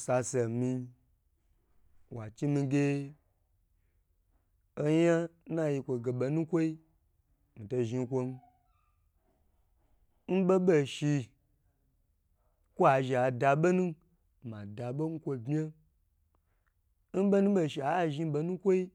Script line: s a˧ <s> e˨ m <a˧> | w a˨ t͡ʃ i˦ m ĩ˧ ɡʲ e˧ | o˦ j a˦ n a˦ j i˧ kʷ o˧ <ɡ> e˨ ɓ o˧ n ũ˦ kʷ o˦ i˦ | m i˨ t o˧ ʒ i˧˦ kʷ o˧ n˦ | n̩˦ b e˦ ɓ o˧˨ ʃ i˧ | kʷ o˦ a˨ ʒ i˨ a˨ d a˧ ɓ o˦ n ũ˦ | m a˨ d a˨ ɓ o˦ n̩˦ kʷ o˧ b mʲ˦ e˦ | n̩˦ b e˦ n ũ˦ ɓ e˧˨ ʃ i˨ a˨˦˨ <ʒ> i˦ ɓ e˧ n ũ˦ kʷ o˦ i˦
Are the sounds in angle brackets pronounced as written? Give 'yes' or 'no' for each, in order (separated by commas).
yes, no, yes, yes